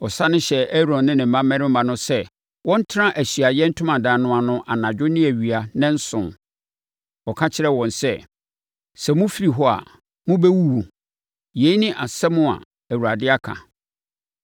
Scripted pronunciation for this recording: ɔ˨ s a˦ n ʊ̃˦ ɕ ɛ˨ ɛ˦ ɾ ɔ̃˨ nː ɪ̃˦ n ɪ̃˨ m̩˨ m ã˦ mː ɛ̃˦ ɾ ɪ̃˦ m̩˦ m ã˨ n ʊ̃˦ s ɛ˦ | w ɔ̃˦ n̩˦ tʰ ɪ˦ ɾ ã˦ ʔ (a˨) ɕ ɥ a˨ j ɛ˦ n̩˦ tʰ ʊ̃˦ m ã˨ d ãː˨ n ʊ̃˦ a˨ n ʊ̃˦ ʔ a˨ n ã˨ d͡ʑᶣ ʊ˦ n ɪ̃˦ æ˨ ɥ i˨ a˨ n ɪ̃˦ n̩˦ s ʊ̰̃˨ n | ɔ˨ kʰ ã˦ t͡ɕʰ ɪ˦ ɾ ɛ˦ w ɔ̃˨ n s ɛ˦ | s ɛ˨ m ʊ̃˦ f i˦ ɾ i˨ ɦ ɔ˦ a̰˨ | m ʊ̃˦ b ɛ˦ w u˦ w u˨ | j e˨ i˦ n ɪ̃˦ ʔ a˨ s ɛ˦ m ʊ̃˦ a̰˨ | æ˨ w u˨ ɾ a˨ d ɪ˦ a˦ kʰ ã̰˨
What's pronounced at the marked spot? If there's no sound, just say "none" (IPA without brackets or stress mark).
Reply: æ˨